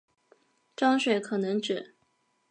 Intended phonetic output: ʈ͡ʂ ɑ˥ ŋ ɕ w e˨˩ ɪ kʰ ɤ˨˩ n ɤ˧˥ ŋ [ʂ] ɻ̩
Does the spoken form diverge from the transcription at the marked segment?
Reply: yes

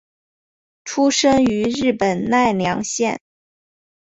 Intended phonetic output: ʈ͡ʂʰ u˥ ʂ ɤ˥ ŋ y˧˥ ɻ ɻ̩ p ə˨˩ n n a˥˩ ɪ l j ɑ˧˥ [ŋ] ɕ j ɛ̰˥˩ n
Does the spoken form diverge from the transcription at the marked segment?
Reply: no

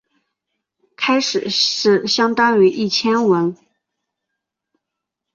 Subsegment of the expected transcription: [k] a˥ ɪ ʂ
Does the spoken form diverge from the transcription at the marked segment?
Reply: yes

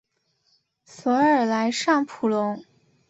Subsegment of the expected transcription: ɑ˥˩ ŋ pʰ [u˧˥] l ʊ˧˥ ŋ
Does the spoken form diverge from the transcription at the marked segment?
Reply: yes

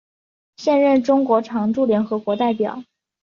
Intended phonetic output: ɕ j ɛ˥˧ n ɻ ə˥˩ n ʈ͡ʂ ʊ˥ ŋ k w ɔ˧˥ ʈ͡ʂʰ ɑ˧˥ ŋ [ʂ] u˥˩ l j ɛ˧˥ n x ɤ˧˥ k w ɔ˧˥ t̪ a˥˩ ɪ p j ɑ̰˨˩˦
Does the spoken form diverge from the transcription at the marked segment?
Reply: yes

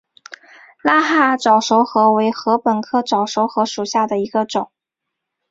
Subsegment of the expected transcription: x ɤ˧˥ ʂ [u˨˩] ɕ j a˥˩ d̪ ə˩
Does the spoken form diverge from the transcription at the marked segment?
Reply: no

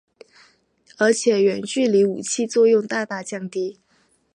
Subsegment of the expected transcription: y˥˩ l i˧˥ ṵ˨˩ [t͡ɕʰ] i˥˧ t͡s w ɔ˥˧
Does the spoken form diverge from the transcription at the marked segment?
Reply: no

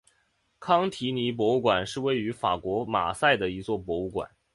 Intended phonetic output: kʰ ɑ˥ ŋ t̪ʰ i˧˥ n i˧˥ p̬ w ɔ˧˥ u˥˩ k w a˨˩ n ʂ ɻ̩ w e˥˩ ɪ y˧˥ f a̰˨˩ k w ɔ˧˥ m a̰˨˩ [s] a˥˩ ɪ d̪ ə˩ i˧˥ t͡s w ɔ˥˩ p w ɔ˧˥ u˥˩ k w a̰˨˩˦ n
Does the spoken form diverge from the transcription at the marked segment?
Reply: no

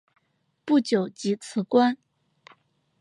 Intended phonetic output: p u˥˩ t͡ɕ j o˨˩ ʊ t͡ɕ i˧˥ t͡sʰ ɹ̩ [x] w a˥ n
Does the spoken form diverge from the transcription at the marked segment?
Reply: yes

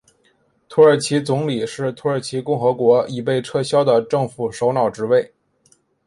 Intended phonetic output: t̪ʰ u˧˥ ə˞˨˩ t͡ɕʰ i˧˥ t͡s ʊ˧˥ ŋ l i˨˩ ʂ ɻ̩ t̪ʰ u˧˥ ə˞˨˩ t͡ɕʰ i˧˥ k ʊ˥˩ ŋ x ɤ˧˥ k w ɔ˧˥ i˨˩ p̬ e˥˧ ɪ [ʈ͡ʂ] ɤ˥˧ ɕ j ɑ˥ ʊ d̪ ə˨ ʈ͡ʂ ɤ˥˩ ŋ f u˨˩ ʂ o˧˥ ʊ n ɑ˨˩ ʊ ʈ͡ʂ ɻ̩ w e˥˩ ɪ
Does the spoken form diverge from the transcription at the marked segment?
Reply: yes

